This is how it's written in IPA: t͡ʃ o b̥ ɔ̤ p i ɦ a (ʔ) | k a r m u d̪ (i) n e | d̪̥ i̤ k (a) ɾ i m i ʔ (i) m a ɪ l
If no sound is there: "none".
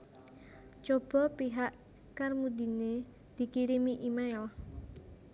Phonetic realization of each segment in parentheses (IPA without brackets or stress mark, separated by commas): ʔ, i, i, i